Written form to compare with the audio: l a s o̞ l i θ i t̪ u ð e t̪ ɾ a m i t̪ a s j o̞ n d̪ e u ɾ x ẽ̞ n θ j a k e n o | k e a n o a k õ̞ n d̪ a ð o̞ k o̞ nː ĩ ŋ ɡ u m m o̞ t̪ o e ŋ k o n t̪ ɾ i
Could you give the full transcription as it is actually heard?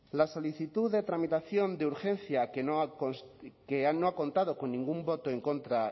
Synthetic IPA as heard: l a s o̞ l i θ i t̪ u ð e t̪ ɾ a m i t̪ a θ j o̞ n d̪ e u ɾ x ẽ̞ n θ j a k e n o | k e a n o a k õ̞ n t̪ a ð o̞ k o̞ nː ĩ ŋ ɡ u m b o̞ t̪ o e ŋ k o n t̪ ɾ a